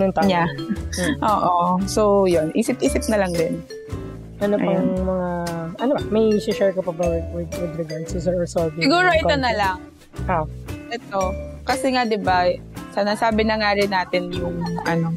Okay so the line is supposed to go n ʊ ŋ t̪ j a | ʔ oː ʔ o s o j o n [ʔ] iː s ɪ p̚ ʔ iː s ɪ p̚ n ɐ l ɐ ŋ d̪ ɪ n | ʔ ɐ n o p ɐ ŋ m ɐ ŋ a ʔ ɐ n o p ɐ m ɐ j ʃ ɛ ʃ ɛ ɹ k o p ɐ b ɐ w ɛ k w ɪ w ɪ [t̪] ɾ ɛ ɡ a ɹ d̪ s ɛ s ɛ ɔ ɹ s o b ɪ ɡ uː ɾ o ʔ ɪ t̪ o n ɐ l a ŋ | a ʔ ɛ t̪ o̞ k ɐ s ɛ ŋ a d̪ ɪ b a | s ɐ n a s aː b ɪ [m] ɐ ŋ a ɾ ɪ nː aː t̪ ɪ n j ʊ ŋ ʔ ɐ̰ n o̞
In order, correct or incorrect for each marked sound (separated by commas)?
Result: correct, incorrect, incorrect